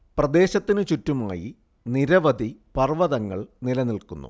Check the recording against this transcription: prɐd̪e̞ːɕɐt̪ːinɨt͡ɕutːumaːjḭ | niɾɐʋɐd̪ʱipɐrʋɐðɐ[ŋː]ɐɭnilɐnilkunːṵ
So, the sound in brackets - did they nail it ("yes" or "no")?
yes